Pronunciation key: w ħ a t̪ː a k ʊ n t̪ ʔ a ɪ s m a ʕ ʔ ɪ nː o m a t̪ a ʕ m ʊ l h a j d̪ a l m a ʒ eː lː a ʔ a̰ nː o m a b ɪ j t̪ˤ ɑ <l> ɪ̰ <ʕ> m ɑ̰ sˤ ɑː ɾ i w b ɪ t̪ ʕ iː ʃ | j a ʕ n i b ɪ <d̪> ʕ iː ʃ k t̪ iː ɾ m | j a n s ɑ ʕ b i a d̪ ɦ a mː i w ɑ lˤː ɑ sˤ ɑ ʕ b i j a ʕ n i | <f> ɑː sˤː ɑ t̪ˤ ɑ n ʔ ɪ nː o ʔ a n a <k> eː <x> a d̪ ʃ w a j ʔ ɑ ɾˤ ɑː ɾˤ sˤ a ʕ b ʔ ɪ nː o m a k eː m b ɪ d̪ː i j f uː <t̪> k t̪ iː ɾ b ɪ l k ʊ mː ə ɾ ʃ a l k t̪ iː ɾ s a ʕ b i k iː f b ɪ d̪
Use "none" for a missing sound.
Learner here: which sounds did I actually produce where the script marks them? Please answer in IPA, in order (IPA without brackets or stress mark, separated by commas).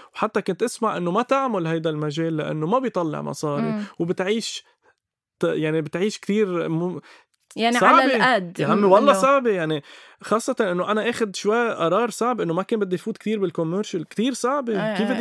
lː, ʕ, t̪, x, ʔ, x, t̪